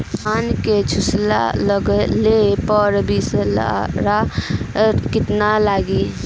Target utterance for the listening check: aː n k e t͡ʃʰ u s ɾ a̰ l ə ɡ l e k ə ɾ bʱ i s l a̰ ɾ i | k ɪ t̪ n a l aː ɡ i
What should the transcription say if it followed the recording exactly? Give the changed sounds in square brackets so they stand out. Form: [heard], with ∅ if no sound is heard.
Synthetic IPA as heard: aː n k e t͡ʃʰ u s [l] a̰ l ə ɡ l e [p] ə ɾ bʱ i s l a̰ ɾ [a] | k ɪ t̪ n a l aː ɡ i